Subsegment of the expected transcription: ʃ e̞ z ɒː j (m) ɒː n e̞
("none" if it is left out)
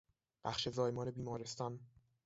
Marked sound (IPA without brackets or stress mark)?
m